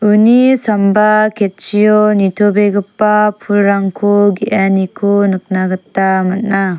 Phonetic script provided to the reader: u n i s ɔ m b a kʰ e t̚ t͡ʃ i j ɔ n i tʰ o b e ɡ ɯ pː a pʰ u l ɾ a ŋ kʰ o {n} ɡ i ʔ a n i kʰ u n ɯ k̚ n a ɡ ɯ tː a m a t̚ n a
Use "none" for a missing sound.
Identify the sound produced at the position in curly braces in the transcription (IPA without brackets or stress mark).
none